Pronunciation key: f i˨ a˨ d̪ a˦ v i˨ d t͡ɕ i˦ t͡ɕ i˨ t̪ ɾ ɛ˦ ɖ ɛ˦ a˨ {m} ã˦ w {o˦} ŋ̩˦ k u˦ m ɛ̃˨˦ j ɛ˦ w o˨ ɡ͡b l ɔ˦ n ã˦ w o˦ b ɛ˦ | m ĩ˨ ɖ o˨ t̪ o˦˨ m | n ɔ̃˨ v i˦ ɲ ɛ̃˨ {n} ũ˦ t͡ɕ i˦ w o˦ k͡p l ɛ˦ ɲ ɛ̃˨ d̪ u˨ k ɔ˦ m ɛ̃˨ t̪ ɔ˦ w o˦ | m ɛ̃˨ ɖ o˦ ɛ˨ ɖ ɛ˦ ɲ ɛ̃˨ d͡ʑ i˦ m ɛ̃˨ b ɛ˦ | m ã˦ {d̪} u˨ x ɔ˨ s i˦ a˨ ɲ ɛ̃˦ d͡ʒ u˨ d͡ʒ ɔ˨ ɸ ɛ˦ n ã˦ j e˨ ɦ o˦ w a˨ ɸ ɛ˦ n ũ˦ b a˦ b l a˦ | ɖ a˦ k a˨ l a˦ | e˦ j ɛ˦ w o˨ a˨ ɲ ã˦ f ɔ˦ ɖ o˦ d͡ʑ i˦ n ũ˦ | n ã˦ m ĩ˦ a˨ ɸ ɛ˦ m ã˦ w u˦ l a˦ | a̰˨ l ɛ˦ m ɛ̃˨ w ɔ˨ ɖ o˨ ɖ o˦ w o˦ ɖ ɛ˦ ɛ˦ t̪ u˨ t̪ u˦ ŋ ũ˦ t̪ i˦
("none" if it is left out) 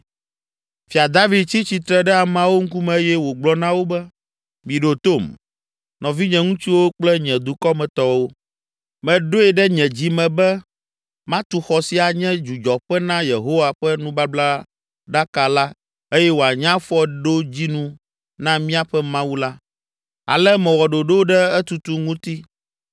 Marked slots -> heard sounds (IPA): m, o˦, ŋ, t̪

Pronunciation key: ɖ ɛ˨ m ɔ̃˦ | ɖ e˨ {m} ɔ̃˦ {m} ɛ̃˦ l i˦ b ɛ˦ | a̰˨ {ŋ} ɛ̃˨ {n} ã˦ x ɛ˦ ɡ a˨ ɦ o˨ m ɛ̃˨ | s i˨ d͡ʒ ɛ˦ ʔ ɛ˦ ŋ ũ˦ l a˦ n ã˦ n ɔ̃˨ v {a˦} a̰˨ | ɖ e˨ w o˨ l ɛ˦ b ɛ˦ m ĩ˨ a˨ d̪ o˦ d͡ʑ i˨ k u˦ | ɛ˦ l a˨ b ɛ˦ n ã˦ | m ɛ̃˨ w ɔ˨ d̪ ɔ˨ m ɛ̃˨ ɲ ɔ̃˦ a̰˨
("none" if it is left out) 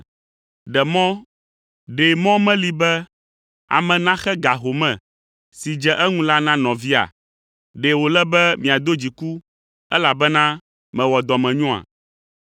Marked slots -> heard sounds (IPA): m, m, m, n, i˦

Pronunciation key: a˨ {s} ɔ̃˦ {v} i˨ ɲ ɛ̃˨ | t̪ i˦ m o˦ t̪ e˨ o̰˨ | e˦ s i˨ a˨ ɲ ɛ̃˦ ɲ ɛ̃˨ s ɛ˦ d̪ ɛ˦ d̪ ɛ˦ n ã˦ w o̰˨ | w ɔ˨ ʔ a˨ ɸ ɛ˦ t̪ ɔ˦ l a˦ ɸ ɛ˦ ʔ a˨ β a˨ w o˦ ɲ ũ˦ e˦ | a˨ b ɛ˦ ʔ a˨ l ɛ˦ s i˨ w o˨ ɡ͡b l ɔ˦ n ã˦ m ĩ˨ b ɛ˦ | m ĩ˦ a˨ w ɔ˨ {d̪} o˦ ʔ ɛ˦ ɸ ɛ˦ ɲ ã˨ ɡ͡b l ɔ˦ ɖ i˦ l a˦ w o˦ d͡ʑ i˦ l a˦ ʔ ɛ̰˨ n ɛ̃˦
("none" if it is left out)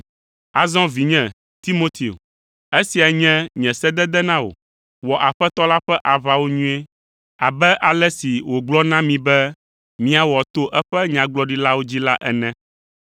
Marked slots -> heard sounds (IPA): z, v, t̪

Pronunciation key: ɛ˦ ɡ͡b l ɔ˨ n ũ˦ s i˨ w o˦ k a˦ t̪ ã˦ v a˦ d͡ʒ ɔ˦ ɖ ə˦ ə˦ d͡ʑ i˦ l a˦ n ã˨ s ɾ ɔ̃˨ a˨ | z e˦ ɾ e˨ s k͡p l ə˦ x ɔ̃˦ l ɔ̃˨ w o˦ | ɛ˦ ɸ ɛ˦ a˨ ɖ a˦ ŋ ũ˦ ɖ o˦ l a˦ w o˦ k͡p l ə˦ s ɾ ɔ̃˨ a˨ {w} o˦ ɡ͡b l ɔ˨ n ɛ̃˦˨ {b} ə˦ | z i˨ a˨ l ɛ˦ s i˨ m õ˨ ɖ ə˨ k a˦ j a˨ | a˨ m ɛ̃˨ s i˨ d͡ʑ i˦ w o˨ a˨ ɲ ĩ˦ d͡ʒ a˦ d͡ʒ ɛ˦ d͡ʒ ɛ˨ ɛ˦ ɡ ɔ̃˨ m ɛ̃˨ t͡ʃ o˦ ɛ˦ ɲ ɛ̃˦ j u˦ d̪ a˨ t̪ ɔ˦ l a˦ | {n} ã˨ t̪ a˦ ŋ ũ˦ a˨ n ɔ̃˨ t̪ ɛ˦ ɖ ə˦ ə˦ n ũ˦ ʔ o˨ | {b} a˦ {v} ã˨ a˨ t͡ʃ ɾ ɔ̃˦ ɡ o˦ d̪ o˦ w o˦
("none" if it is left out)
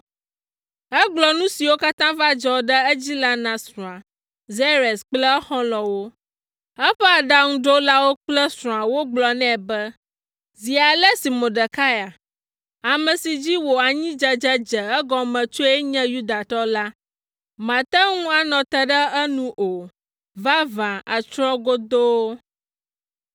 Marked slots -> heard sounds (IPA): w, b, m, v, v

